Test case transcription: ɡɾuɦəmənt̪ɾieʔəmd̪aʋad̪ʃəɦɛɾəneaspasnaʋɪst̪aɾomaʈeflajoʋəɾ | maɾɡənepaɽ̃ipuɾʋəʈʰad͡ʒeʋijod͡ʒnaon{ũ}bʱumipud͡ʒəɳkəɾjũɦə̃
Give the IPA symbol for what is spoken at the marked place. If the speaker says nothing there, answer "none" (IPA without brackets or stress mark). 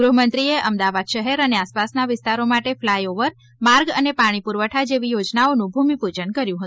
ũ